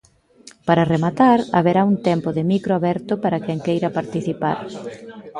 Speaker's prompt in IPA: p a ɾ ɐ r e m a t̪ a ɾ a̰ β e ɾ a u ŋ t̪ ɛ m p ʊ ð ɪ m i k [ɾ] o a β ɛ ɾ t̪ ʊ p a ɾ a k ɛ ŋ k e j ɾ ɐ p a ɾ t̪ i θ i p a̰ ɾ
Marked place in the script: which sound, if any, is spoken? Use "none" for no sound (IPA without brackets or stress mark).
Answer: ɾ